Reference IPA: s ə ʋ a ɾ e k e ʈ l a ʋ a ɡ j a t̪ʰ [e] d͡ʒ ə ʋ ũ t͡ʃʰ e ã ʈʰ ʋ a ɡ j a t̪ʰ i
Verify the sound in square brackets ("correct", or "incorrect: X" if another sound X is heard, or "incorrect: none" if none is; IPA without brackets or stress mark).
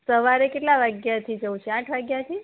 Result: incorrect: i